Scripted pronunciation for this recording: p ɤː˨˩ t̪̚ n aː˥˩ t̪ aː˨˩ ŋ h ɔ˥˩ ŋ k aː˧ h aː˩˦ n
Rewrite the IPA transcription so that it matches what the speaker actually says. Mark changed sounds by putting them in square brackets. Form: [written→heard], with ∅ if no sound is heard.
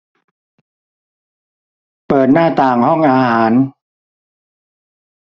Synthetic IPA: p ɤː˨˩ t̪̚ n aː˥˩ t̪ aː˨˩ ŋ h ɔ˥˩ ŋ [k→ʔ] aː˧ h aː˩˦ n

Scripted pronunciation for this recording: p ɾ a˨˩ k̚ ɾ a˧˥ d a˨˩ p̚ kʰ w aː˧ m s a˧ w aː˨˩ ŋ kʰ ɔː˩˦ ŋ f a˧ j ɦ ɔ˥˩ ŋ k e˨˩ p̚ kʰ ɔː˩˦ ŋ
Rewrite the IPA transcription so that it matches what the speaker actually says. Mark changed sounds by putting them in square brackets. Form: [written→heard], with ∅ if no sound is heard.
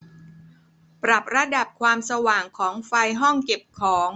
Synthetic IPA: p ɾ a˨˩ [k̚→p̚] ɾ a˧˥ d a˨˩ p̚ kʰ w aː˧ m s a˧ w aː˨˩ ŋ kʰ ɔː˩˦ ŋ f a˧ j ɦ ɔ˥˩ ŋ k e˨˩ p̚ kʰ ɔː˩˦ ŋ

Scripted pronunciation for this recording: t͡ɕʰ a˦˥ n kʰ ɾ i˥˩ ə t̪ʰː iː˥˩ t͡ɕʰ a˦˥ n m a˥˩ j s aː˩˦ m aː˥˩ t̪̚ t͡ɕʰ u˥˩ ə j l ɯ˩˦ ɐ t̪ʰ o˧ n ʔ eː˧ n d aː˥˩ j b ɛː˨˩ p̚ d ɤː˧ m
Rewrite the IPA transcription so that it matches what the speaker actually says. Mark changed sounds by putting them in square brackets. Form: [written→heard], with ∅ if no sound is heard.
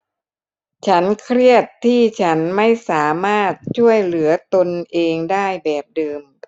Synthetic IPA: t͡ɕʰ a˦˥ n kʰ ɾ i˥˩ ə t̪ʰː iː˥˩ t͡ɕʰ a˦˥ n m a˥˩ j s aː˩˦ m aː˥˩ t̪̚ t͡ɕʰ u˥˩ ə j l ɯ˩˦ ɐ [t̪ʰ→t̪] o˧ n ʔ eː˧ [n→ŋ] d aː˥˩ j b ɛː˨˩ p̚ d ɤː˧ m

